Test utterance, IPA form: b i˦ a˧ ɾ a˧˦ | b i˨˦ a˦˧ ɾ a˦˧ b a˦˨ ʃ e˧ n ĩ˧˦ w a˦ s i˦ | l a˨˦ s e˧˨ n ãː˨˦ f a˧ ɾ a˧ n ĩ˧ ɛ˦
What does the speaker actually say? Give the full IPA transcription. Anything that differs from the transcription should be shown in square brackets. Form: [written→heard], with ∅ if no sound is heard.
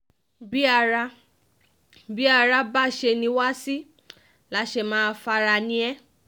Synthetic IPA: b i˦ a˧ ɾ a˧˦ | b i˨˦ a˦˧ ɾ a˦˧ b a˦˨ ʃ e˧ n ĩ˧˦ w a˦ s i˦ | l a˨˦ [s→ʃ] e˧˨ [n→m] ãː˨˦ f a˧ ɾ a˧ n ĩ˧ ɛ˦